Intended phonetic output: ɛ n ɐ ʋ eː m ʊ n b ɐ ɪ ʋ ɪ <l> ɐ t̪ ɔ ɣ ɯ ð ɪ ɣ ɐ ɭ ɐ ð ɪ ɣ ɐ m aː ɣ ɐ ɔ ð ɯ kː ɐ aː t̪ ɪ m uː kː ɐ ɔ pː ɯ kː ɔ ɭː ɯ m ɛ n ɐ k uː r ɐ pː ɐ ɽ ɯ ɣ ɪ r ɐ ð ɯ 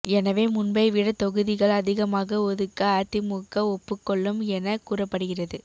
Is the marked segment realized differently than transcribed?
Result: yes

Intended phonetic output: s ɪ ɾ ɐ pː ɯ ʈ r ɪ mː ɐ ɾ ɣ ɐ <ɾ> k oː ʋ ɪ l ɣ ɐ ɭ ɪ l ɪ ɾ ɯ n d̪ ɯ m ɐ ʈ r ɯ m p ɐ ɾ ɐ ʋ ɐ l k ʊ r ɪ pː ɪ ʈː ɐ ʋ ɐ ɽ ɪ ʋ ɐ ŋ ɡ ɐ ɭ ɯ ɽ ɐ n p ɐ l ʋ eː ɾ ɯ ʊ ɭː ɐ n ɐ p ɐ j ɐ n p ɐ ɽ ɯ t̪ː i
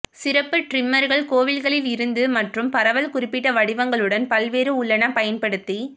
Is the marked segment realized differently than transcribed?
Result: yes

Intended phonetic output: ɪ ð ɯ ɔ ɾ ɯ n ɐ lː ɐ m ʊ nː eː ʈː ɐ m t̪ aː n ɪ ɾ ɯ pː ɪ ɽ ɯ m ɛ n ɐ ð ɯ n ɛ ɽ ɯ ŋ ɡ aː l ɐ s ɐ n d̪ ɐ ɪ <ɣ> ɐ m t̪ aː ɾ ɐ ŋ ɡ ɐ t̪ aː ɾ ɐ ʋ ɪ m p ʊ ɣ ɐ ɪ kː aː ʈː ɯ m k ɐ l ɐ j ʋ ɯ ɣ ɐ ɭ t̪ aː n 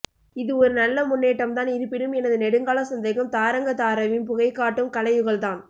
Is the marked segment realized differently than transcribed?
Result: no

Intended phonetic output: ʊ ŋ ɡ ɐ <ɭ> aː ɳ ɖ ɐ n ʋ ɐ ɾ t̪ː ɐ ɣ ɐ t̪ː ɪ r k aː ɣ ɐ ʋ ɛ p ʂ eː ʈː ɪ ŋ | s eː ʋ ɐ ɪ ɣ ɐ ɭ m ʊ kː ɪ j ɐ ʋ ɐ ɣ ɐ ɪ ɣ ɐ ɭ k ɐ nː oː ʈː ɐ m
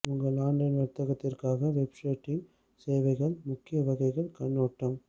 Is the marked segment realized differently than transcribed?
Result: no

